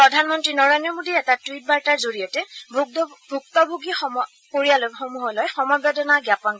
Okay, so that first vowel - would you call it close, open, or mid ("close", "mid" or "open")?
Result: mid